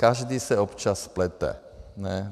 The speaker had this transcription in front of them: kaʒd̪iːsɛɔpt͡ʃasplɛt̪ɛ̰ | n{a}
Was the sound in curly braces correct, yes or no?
no